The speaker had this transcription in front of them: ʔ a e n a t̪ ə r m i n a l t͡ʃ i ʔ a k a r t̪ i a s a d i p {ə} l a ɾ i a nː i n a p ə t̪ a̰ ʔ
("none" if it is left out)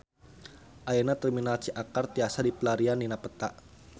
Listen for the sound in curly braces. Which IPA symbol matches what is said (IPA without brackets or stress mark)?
ə